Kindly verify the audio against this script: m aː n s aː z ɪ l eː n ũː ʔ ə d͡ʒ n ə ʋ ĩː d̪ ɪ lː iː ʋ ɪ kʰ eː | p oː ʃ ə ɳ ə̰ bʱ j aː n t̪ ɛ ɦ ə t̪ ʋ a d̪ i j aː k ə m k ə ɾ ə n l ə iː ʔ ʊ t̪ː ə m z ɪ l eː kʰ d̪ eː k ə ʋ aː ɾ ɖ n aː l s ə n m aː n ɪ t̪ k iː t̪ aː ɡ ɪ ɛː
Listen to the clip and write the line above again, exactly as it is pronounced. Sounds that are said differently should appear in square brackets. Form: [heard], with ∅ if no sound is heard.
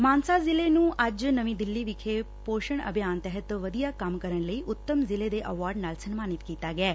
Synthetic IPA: m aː n s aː z ɪ l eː n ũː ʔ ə d͡ʒ n ə ʋ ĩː d̪ ɪ lː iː ʋ ɪ kʰ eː | p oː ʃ ə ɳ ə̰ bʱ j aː n t̪ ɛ ɦ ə t̪ ʋ [ə] d̪ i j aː k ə m k ə ɾ ə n l ə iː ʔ ʊ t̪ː ə m z ɪ l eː [∅] d̪ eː [ʔ] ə ʋ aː ɾ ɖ n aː l s ə n m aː n ɪ t̪ k iː t̪ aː ɡ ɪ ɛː

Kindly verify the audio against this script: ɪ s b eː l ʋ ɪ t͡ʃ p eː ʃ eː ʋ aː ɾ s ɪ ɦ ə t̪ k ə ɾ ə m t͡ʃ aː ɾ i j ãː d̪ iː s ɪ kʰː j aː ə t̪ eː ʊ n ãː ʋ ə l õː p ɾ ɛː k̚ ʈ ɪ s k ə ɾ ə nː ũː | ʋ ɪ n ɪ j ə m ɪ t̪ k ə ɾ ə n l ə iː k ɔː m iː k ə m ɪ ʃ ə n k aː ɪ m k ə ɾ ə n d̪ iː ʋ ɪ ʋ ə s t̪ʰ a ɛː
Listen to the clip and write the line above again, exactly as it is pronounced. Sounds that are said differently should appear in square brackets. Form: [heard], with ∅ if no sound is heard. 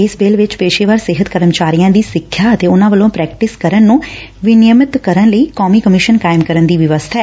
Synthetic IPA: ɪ s b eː l ʋ ɪ t͡ʃ p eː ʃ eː ʋ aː ɾ s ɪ ɦ ə t̪ k ə ɾ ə m t͡ʃ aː ɾ i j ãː d̪ iː s ɪ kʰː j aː ə t̪ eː ʊ n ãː ʋ ə l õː p ɾ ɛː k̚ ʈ ɪ s k ə ɾ ə nː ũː | ʋ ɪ n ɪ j ə m ɪ t̪ k ə ɾ ə n l ə iː k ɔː m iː k ə m ɪ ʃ ə n k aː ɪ m k ə ɾ ə n d̪ iː ʋ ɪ ʋ ə s t̪ʰ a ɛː

